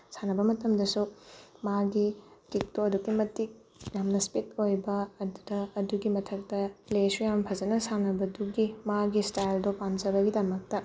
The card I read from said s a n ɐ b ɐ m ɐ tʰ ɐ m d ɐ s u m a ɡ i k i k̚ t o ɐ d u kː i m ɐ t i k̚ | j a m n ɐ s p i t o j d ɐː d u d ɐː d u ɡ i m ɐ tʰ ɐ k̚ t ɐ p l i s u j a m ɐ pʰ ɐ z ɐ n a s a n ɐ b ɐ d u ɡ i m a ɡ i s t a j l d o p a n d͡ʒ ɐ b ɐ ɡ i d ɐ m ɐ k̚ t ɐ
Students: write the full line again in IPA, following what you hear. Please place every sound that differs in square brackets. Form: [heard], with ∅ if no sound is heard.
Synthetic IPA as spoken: s a n ɐ b ɐ m ɐ [t] ɐ m d ɐ s u m a ɡ i k i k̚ t o ɐ d u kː i m ɐ t i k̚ | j a m n ɐ s p i t o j [b] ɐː d u d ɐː d u ɡ i m ɐ tʰ ɐ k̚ t ɐ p l [e] s u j a m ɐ pʰ ɐ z ɐ n [ɐ] s a n ɐ b ɐ d u ɡ i m a ɡ i s t a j l d o p a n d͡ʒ ɐ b ɐ ɡ i d ɐ m ɐ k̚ t ɐ